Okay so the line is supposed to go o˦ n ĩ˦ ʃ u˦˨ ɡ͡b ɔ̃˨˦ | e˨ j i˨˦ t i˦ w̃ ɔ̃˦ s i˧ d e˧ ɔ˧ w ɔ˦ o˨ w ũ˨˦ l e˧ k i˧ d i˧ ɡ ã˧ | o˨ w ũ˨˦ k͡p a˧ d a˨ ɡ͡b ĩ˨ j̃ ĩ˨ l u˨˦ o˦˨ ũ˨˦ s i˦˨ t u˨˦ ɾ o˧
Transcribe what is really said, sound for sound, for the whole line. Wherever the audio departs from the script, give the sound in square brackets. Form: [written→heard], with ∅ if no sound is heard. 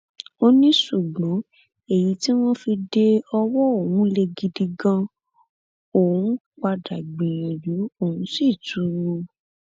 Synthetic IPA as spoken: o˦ n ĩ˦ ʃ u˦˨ ɡ͡b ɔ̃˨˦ | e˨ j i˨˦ t i˦ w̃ ɔ̃˦ [s→f] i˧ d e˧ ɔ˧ w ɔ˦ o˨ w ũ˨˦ l e˧ [k→ɡ] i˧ d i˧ ɡ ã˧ | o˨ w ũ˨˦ k͡p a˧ d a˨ ɡ͡b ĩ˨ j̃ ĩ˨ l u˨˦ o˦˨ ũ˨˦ s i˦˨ t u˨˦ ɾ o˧